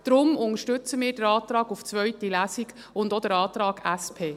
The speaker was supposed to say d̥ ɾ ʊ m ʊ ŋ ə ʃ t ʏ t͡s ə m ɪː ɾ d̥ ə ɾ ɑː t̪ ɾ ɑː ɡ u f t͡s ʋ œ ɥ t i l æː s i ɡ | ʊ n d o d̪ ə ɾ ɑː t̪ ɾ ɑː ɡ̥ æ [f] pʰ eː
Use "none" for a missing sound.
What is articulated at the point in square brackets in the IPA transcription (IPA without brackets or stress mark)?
s